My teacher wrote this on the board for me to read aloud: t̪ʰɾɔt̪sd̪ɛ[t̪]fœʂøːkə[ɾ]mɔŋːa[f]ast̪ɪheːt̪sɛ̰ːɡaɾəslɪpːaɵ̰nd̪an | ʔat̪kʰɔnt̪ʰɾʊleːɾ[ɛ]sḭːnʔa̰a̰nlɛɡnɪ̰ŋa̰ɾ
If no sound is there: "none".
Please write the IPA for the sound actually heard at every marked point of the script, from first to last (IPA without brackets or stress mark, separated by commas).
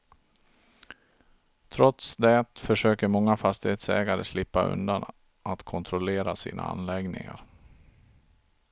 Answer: t̪, ɾ, f, a